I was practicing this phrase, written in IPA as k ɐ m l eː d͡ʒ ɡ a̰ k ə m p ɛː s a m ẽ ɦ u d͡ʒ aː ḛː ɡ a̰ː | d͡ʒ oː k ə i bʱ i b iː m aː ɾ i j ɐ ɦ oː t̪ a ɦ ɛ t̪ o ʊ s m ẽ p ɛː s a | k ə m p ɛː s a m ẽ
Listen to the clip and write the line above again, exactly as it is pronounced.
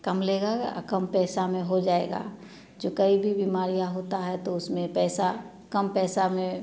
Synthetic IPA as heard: k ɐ m l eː ɡ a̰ k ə m p ɛː s a m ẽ ɦ o d͡ʒ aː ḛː ɡ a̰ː | d͡ʒ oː k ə i bʱ i b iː m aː ɾ i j a ɦ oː t̪ a ɦ ɛ t̪ o ʊ s m ẽ p ɛː s a | k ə m p ɛː s a m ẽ